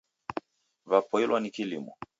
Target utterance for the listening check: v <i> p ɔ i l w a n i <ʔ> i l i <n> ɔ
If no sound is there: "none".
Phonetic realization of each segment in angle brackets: a, k, m

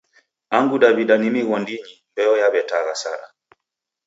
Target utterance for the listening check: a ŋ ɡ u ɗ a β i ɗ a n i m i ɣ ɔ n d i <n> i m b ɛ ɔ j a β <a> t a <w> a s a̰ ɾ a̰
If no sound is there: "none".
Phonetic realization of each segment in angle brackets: ɲ, ɛ, ɣ

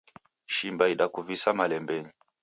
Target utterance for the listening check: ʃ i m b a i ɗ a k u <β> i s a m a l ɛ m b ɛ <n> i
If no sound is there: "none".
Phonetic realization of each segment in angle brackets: v, ɲ

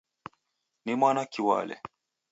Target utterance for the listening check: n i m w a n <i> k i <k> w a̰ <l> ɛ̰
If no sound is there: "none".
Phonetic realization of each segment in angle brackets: a, none, l

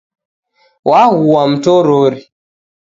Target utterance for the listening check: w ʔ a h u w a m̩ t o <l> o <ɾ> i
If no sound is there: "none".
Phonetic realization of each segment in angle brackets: ɾ, ɾ

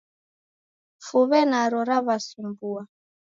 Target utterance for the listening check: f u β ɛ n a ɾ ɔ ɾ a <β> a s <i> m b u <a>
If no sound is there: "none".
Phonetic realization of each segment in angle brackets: β, i, a

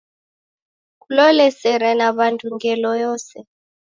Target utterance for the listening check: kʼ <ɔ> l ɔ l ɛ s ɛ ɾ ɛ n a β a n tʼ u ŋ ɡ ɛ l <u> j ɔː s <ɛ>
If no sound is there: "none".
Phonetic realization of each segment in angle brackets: u, ɔ, ɛ

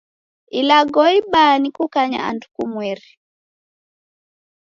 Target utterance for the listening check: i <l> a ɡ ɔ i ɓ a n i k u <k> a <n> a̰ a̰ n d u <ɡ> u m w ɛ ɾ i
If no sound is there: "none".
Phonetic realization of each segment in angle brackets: l, k, ɲ, k

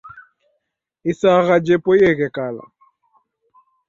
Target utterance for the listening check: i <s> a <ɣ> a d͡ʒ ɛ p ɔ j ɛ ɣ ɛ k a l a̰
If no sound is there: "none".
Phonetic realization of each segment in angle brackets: s, ɣ

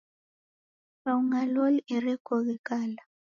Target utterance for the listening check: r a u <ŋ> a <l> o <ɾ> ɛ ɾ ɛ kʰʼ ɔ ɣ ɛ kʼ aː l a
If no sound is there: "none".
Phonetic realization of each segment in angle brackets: ŋ, l, l

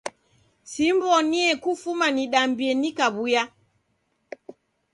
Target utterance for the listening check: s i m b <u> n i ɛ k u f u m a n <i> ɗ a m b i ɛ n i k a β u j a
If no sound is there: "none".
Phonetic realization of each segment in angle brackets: ɔ, i

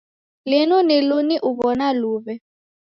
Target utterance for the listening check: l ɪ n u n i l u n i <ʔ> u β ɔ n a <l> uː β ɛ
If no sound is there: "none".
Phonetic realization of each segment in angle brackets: ʔ, l

